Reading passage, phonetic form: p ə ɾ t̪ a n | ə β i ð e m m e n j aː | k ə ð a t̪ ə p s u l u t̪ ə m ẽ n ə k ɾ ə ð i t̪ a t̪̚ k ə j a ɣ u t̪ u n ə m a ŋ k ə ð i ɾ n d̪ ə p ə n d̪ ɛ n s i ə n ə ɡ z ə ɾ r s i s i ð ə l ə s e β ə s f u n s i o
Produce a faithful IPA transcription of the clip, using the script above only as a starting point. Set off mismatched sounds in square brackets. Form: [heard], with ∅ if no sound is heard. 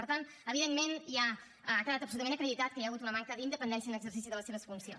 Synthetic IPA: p ə ɾ t̪ a n | ə β i ð e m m e n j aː | k ə ð a t̪ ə p s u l u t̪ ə m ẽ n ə k ɾ ə ð i t̪ a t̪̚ k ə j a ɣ u t̪ u n ə m a ŋ k ə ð i [∅] n d̪ ə p ə n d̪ ɛ n s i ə n ə ɡ z ə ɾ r s i s i ð ə l ə s e β ə s f u n s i o

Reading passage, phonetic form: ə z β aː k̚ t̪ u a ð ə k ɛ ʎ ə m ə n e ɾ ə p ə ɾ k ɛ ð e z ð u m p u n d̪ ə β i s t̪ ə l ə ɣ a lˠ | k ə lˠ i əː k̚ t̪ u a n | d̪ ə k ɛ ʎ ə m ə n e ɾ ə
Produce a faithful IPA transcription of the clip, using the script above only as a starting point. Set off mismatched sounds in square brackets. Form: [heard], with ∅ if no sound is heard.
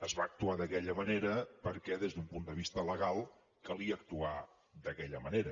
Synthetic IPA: ə z β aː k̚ t̪ u a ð ə k ɛ ʎ ə m ə n e ɾ ə p ə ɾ k ɛ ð e z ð u m p u n d̪ ə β i s t̪ ə l ə ɣ a lˠ | k ə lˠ i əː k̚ t̪ u a [∅] | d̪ ə k ɛ ʎ ə m ə n e ɾ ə

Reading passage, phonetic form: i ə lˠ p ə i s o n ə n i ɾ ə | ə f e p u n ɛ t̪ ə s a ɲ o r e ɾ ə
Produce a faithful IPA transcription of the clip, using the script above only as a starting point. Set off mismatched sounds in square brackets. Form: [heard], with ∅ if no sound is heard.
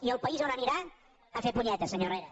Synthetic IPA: i ə lˠ p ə i [z] o n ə n i ɾ [a] | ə f e p u [ɲ] ɛ t̪ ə s [ə] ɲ o r e ɾ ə

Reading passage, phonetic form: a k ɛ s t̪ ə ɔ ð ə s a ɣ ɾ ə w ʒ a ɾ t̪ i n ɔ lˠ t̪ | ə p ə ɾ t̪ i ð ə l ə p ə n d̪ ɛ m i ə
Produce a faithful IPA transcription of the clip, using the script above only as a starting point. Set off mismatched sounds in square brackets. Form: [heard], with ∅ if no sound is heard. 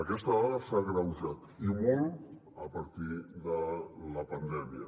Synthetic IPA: [ə] k ɛ s t̪ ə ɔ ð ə s a ɣ ɾ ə w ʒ a [∅] t̪ i [m] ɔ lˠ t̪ | ə p ə ɾ t̪ i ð ə l ə p ə n d̪ ɛ m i ə

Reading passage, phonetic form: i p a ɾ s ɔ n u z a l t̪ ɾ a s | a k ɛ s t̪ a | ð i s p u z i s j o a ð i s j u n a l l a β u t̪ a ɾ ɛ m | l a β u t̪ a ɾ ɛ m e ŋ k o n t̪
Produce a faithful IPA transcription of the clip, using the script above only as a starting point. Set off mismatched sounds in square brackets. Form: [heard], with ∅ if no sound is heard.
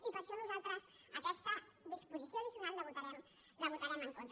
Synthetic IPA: i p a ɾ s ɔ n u z a l t̪ ɾ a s | a k ɛ s t̪ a | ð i s p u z i s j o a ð i s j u n a l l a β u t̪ a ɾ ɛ m | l a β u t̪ a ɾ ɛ m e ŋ k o n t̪

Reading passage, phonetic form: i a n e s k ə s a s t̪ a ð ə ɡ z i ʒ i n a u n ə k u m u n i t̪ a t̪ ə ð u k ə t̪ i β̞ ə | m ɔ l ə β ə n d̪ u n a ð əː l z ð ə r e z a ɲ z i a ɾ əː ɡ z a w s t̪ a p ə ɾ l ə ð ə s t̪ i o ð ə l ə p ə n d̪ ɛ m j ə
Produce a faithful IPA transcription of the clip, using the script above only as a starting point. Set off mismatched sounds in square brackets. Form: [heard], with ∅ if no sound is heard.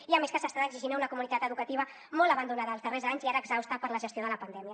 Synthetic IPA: i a [m] e s k ə s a s t̪ a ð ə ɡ z i ʒ i n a u n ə k u m u n i t̪ a t̪ ə ð u k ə t̪ i β̞ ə | m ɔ l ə β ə n d̪ u n a ð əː l z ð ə r e z a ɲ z i a ɾ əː ɡ z a w s t̪ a p ə ɾ l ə [ʒ] ə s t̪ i o ð ə l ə p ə n d̪ ɛ m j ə

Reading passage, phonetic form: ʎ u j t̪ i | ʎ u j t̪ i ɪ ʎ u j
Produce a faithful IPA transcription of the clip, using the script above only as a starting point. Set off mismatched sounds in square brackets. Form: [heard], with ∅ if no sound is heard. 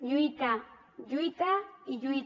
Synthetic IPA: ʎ [ʊ] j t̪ [a] | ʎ [ʊ] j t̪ [a] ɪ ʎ [ʊ] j

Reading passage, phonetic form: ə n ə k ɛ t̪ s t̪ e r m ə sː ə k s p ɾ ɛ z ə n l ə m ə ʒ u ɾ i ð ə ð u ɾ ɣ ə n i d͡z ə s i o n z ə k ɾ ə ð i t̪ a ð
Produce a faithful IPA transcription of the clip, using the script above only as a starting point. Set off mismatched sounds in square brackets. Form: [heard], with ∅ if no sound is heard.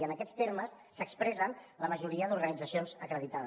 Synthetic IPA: ə n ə k ɛ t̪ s t̪ e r m ə sː ə k s p ɾ ɛ z ə n l ə m ə ʒ u ɾ i [∅] ə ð u ɾ ɣ ə n i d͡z ə s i o n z ə k ɾ ə ð i t̪ a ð

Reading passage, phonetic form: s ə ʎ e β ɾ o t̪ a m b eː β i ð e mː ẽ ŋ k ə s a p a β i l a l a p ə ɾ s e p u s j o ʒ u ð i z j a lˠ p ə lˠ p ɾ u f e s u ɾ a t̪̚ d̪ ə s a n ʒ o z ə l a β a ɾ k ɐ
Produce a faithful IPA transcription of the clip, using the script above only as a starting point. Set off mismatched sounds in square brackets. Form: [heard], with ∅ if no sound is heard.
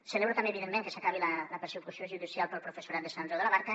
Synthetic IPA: s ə [l] e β ɾ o t̪ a m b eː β i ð e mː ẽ ŋ k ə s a [k] a β i l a l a p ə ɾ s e [k] u s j o ʒ u ð i [s] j a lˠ p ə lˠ p ɾ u f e s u ɾ a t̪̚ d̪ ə s a n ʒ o [ð] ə l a β a ɾ k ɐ

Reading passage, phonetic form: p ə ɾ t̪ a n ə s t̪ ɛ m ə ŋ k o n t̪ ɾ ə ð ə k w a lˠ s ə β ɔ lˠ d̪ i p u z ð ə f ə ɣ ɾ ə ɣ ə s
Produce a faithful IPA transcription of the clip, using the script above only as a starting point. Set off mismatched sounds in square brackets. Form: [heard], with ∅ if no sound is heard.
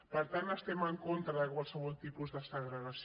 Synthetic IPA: p ə ɾ t̪ a n ə s t̪ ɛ m ə ŋ k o n t̪ ɾ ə ð ə k w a lˠ s ə β ɔ lˠ [t̪] i p u z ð ə [s] ə ɣ ɾ ə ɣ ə s

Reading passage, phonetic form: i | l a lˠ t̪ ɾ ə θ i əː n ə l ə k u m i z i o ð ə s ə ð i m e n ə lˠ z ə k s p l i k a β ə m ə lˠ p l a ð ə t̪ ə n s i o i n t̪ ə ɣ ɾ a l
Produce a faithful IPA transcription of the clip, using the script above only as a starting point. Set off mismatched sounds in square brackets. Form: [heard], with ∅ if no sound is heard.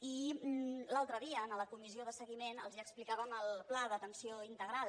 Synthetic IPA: i | l a lˠ t̪ ɾ ə [ð] i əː n ə l ə k u m i z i o ð ə s ə [ɣ] i m e n ə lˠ z ə k s p l i k a β ə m ə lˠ p l a ð ə t̪ ə n s i o i n t̪ ə ɣ ɾ a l

